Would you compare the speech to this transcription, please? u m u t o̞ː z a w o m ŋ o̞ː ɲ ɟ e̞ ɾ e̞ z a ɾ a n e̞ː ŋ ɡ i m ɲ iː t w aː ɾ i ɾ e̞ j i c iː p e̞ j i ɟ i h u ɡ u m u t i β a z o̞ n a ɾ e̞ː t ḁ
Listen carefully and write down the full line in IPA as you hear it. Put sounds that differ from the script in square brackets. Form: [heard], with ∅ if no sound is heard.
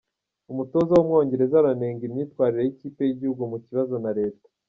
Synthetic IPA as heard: u m u t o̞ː z a w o m ŋ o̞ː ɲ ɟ e̞ ɾ e̞ z a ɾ a n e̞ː ŋ ɡ i m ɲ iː t w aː ɾ i ɾ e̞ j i c iː p e̞ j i ɟ i h u ɡ u m u [c] i β a z o̞ n a ɾ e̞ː t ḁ